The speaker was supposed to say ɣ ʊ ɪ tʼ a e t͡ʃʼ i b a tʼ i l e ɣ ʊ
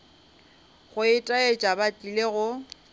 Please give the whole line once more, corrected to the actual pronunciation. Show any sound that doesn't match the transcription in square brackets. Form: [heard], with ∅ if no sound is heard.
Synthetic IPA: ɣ ʊ ɪ tʼ a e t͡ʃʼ [a] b a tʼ i l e ɣ ʊ